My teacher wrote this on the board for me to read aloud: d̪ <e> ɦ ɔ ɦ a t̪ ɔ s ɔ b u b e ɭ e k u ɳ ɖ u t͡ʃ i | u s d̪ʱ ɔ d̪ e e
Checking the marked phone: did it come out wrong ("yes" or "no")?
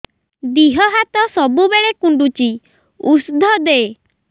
yes